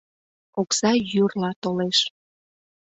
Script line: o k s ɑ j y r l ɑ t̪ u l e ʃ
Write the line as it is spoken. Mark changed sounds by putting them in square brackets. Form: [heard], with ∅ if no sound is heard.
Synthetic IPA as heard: o k s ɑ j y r l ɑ t̪ [o] l e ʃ